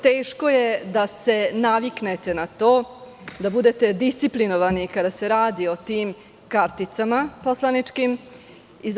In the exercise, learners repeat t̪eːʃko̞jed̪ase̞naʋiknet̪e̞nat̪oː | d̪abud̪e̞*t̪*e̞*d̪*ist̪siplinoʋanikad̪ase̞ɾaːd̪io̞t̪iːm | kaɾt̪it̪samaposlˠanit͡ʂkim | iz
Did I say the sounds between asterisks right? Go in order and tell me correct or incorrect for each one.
correct, correct

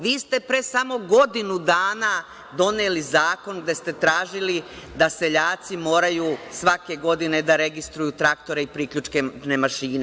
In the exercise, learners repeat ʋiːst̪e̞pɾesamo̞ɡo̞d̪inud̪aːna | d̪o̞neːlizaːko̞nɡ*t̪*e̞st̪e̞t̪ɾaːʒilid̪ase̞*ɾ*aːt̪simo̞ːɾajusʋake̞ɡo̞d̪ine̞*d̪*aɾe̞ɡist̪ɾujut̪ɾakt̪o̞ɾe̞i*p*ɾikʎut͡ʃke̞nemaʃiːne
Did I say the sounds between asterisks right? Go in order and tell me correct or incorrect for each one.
incorrect, incorrect, correct, correct

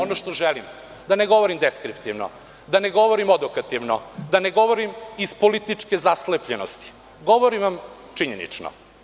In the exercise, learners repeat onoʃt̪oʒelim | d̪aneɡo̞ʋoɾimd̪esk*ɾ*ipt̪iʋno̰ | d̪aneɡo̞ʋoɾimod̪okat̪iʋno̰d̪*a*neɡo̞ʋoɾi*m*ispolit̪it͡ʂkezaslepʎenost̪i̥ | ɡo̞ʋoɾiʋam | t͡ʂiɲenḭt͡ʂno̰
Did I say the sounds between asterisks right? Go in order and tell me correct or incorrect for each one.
correct, correct, correct

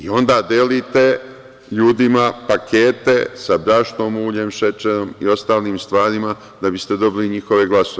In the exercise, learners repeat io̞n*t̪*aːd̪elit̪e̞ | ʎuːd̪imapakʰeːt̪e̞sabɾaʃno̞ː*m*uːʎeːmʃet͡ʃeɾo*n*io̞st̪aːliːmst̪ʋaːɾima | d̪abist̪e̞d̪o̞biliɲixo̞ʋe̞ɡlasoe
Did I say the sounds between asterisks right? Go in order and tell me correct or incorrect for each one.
incorrect, correct, incorrect

